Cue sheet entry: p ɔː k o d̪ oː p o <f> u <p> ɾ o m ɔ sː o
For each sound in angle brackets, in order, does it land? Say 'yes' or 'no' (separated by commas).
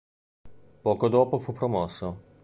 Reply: yes, yes